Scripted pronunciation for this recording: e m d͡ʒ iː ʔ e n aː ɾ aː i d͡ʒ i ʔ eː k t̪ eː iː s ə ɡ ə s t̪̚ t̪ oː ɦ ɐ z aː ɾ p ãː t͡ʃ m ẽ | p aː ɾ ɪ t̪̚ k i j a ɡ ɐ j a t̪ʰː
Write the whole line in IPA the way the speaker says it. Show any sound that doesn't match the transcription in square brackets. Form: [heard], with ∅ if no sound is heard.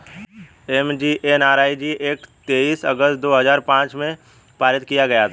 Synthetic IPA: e m d͡ʒ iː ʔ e n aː ɾ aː i d͡ʒ i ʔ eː k t̪ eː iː s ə ɡ ə s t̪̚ [d̪] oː ɦ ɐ z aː ɾ p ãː t͡ʃ m ẽ | p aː ɾ ɪ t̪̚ k i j a ɡ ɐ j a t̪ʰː